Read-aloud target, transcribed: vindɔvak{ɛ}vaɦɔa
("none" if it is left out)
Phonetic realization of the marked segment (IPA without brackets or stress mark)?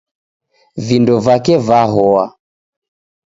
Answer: ɛ